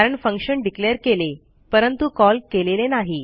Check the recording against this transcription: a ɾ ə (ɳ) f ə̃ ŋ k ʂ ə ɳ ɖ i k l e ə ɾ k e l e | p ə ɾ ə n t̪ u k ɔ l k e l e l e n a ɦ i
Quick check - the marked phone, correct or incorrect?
correct